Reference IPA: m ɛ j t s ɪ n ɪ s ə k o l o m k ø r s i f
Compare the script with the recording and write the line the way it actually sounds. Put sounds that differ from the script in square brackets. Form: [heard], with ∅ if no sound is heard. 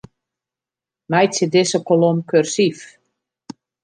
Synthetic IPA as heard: m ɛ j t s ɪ [d] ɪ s ə k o l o m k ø r s i f